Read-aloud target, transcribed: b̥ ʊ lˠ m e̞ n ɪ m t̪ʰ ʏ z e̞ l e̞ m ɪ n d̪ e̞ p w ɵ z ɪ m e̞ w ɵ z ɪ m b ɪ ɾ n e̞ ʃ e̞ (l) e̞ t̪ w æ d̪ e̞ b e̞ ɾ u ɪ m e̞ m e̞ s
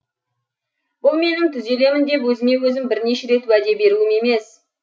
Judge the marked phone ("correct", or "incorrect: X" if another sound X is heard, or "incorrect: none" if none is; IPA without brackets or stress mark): incorrect: ɾ